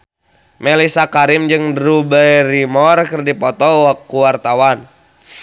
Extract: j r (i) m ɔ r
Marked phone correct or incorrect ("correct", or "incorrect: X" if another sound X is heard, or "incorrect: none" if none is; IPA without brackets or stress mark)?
correct